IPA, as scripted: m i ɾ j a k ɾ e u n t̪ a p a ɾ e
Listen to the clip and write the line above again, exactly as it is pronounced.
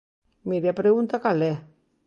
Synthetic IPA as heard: m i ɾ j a p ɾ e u n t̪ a k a l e